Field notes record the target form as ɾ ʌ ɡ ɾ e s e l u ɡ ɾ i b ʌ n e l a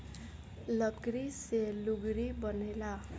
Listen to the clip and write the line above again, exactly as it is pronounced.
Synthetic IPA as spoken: l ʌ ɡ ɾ i s e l u ɡ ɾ i b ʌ n e l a